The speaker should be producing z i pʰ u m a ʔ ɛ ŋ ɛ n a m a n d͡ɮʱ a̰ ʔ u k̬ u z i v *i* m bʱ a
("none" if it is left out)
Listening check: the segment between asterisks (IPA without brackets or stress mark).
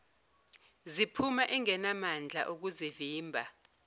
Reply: iː